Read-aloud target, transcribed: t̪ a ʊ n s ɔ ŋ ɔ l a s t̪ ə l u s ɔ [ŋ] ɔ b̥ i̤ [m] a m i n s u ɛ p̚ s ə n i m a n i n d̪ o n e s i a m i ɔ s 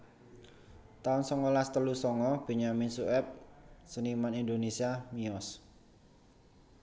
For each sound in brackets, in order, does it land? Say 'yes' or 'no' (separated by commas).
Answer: yes, no